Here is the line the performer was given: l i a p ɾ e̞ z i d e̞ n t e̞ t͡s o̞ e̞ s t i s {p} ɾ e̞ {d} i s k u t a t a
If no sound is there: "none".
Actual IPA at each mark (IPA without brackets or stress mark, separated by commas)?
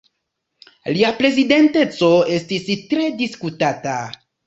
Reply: t, d